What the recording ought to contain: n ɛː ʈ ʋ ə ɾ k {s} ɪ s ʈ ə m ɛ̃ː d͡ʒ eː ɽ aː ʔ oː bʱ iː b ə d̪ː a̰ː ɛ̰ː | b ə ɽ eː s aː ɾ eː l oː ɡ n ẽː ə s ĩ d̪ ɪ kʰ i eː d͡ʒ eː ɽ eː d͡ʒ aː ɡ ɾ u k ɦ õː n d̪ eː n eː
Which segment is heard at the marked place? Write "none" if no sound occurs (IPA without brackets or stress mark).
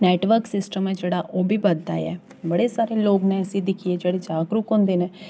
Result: s